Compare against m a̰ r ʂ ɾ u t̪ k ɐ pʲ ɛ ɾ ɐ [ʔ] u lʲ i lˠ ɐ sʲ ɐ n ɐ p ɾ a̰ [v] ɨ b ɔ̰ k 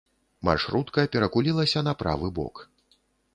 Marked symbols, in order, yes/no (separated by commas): no, yes